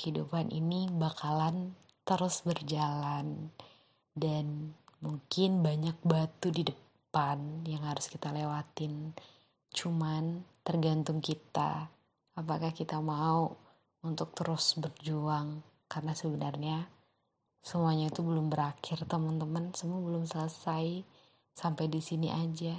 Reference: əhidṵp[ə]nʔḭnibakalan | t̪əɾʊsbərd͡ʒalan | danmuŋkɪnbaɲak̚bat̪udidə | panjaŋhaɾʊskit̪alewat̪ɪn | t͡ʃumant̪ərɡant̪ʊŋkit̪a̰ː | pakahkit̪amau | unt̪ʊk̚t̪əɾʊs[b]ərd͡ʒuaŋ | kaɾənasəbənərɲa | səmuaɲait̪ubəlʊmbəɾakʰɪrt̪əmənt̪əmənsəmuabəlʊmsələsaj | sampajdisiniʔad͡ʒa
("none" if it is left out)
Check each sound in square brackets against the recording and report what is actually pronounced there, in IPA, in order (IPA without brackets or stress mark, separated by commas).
a, b